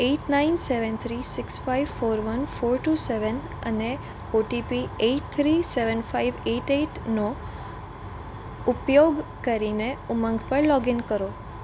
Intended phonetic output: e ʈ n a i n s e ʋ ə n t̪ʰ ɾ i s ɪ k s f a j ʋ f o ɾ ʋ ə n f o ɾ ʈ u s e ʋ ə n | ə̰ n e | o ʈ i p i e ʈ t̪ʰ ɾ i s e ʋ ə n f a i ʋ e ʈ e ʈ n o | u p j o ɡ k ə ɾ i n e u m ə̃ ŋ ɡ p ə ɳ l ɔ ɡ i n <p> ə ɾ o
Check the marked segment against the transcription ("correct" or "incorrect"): incorrect